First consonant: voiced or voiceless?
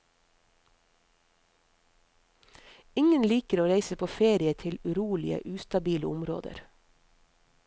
voiced